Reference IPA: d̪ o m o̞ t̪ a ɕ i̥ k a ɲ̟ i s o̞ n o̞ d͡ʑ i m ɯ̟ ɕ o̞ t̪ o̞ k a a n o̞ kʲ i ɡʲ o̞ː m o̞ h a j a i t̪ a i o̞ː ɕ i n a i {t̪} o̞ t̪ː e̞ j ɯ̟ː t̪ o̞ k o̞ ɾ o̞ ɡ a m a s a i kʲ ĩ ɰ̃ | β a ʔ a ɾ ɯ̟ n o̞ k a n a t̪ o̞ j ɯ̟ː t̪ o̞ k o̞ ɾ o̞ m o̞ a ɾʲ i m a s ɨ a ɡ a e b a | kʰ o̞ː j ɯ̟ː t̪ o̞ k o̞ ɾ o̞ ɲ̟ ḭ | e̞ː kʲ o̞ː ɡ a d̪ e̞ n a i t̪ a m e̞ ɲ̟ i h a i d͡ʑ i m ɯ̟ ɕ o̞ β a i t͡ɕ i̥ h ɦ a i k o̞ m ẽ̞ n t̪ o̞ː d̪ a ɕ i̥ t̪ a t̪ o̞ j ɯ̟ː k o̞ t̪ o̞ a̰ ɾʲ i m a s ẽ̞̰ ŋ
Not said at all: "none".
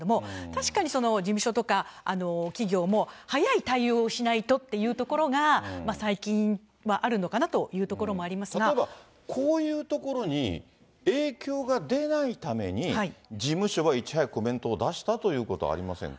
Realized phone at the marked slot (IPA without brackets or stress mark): t̪